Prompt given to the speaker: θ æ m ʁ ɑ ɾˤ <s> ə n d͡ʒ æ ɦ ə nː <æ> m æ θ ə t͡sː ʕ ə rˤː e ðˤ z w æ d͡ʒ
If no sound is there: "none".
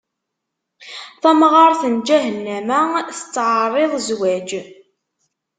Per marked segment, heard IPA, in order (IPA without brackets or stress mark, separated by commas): θ, æ